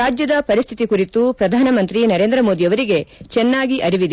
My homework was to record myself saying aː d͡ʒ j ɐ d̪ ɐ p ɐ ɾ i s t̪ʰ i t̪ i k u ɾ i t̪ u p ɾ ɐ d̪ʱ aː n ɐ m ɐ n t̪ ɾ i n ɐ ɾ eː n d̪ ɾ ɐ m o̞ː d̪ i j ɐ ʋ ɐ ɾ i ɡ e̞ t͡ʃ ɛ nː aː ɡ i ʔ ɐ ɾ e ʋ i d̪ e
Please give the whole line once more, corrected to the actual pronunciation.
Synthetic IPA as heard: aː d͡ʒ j ɐ d̪ ɐ p ɐ ɾ i s t̪ʰ i t̪ i k u ɾ i t̪ u p ɾ ɐ d̪ʱ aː n ɐ m ɐ n t̪ ɾ i n ɐ ɾ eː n d̪ ɾ ɐ m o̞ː d̪ i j ɐ ʋ ɐ ɾ i ɡ e̞ t͡ʃ ɛ nː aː ɡ i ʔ ɐ ɾ i ʋ i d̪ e